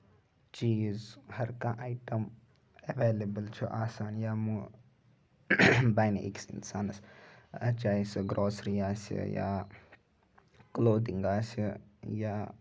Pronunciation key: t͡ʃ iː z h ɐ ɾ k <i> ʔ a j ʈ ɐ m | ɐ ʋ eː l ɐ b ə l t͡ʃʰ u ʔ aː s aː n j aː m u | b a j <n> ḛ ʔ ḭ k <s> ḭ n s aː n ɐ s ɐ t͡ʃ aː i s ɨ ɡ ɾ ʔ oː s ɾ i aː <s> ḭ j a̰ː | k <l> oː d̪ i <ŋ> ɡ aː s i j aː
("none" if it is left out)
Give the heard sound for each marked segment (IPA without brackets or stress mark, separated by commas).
a, n, s, s, l, ŋ